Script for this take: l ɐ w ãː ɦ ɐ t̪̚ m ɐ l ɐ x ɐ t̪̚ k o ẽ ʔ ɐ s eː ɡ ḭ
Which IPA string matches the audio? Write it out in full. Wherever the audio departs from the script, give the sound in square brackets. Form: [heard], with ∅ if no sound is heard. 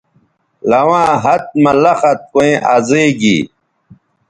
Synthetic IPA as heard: l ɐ w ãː ɦ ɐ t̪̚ m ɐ l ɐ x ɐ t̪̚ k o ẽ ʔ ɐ [z] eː ɡ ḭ